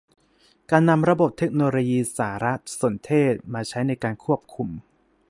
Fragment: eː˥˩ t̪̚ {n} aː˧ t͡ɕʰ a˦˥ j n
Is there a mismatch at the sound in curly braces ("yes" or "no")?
yes